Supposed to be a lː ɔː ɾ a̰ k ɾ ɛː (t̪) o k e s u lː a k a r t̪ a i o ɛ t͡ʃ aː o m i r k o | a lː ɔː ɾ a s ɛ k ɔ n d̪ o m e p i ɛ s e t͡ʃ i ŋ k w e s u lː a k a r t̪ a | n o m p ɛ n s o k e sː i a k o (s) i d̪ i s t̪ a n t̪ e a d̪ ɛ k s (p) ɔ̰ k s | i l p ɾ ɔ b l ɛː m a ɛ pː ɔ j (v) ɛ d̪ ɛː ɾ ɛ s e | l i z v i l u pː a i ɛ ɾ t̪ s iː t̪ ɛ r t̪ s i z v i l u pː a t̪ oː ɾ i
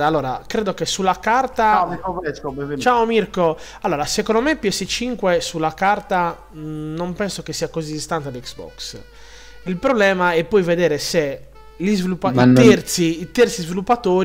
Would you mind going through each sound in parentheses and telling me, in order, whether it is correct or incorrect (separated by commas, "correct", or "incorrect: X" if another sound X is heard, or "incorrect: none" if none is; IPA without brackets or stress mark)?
incorrect: d̪, incorrect: z, incorrect: b, correct